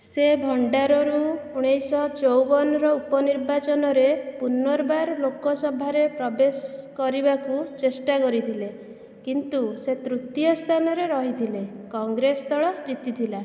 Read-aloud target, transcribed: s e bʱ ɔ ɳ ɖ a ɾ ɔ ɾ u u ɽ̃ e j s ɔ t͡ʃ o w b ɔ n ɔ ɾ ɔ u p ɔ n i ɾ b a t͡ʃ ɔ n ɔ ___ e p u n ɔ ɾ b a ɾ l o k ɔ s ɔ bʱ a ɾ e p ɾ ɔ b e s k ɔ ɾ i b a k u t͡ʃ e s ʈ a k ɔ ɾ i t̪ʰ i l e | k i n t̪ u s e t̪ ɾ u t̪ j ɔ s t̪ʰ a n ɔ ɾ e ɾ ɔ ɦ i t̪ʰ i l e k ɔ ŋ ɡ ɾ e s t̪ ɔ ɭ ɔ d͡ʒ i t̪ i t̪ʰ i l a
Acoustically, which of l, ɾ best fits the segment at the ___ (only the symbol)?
ɾ